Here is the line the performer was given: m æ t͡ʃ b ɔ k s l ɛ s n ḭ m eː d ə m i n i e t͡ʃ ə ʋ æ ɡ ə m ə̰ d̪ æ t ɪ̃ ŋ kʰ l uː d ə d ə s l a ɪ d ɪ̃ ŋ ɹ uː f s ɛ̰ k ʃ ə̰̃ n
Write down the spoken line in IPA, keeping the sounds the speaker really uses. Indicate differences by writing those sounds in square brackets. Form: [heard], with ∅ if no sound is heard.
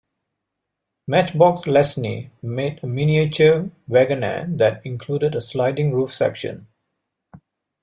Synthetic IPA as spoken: m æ t͡ʃ b ɔ k s l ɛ s n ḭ m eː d ə m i n i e t͡ʃ ə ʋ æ ɡ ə [n] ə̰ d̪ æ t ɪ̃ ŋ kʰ l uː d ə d ə s l a ɪ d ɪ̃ ŋ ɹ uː f s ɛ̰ k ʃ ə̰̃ n